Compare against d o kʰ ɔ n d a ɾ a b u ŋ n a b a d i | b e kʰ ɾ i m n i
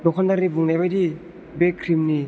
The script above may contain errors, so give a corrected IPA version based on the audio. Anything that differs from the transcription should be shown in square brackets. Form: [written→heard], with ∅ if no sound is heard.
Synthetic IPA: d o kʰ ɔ n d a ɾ [a→i] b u ŋ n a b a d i | b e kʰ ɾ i m n i